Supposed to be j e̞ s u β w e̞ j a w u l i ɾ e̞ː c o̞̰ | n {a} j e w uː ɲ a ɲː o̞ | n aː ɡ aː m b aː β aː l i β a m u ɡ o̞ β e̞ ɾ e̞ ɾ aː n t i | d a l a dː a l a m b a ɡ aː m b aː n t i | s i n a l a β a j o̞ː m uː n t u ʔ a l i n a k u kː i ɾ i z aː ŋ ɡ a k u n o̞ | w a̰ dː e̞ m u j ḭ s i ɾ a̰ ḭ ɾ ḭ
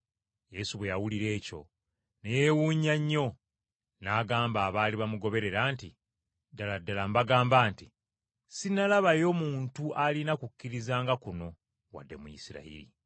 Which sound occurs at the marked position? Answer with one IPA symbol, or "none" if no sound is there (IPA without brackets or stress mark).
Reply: e